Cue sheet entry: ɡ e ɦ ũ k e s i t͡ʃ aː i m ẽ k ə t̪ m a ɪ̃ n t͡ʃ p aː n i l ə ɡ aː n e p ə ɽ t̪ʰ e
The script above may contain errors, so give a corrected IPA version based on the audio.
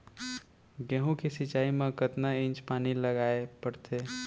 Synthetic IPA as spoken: ɡ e ɦ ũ k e s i t͡ʃ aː i m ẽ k ə t̪ n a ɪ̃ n t͡ʃ p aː n i l ə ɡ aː e p ə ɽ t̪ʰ e